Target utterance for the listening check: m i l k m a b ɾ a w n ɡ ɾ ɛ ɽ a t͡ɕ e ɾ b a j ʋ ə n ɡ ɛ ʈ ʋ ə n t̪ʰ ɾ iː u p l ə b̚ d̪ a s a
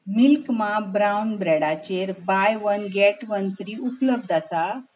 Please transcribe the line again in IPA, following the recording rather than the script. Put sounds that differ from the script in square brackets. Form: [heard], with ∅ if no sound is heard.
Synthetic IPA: m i l k m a b ɾ a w n [b] ɾ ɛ ɽ a t͡ɕ e ɾ b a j ʋ ə n ɡ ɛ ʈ ʋ ə n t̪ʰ ɾ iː u p l ə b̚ d̪ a s a